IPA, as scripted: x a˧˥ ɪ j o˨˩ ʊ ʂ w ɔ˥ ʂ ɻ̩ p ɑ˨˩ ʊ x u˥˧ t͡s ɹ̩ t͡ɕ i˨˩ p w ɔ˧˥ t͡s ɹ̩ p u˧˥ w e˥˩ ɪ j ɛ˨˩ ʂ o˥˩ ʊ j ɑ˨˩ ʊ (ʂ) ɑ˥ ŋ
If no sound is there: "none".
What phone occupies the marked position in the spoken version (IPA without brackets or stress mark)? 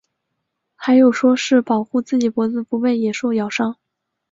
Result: ʂ